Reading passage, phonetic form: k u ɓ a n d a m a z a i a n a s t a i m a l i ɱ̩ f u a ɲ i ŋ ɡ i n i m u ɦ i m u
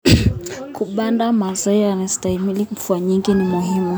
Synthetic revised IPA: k u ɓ a n d a m a z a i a n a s t a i m i l i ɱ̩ f u a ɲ i ŋ ɡ i n i m u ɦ i m u